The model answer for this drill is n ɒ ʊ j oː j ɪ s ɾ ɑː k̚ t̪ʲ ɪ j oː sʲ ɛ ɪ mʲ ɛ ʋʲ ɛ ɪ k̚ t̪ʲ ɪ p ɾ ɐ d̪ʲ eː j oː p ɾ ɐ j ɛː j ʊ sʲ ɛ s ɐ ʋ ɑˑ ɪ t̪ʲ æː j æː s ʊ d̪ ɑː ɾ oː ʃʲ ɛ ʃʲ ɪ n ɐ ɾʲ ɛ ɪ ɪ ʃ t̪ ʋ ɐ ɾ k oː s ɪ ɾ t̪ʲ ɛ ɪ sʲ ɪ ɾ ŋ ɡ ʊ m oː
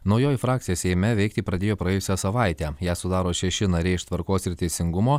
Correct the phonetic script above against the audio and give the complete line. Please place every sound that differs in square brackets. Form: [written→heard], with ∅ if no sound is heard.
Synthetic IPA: n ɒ ʊ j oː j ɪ [s→f] ɾ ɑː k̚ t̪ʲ ɪ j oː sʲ ɛ ɪ mʲ ɛ ʋʲ ɛ ɪ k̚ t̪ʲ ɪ p ɾ ɐ d̪ʲ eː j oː p ɾ ɐ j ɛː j ʊ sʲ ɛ s ɐ ʋ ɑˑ ɪ t̪ʲ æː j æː s ʊ d̪ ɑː ɾ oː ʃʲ ɛ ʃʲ ɪ n ɐ ɾʲ ɛ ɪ ɪ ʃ t̪ ʋ ɐ ɾ k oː s ɪ ɾ t̪ʲ ɛ ɪ sʲ ɪ [ɾ→∅] ŋ ɡ ʊ m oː